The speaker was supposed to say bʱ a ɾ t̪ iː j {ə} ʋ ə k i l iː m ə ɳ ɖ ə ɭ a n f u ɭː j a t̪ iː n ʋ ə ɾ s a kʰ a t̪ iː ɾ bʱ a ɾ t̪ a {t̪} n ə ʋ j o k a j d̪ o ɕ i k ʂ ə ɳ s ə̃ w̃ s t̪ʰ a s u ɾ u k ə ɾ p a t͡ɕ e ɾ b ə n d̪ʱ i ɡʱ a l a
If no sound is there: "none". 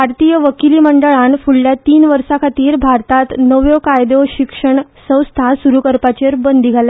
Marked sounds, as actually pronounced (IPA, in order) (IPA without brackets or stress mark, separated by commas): ə, t̪